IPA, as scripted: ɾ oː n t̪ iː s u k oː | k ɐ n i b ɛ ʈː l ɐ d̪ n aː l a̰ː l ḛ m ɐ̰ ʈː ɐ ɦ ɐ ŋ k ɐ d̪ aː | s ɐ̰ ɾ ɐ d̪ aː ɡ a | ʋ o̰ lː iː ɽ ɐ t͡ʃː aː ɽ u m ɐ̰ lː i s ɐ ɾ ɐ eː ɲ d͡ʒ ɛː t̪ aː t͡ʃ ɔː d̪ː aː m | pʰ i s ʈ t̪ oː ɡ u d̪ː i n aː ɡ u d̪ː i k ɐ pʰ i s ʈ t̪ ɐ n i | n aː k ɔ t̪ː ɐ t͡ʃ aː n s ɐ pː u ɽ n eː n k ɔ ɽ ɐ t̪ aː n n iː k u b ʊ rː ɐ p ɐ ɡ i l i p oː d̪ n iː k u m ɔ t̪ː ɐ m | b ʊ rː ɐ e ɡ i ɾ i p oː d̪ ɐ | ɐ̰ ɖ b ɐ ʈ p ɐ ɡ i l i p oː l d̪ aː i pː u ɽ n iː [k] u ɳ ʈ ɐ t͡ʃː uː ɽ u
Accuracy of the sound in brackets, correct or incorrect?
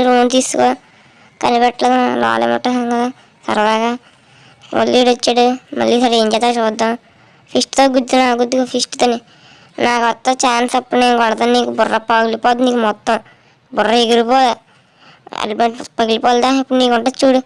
correct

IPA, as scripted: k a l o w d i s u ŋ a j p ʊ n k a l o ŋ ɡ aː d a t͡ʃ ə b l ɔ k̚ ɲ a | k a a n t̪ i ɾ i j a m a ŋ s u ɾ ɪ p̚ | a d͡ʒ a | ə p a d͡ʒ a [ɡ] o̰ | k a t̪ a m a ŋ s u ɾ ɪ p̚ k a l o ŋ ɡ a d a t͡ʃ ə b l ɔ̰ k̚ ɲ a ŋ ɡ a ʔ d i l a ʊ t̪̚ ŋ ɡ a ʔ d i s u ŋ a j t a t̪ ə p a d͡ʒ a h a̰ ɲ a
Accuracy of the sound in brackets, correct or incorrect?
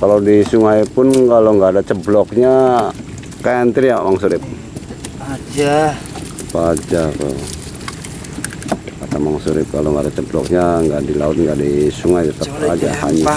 incorrect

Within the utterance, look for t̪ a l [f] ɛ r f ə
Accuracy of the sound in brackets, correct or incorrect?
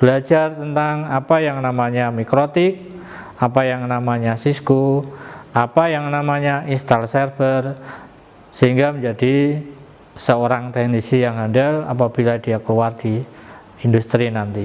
incorrect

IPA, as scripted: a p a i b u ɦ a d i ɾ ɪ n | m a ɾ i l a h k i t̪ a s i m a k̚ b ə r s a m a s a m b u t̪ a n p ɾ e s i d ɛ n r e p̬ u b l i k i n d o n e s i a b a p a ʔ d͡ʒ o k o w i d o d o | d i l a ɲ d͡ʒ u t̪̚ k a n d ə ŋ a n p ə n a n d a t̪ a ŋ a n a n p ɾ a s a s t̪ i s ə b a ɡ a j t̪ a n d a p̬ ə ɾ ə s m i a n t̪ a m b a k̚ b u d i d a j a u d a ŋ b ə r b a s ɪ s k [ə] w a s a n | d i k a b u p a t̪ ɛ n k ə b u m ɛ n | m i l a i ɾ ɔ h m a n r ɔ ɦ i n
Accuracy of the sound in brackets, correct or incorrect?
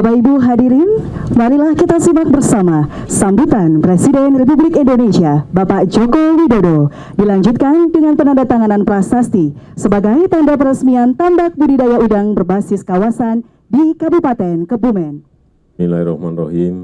incorrect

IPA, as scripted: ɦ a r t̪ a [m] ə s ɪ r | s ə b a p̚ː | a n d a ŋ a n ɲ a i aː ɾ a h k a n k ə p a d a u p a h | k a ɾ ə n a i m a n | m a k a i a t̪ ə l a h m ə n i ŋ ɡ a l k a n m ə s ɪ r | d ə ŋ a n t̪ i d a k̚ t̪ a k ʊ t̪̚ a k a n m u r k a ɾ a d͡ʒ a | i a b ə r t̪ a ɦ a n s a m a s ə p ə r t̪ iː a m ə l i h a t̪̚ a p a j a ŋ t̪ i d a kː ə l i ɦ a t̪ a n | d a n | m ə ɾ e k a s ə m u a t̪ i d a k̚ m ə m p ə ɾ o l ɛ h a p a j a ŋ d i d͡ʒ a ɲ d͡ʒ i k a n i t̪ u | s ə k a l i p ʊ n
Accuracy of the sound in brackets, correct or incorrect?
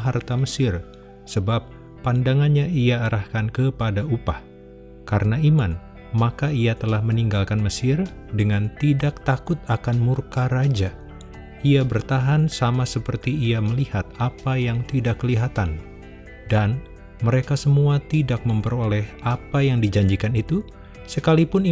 correct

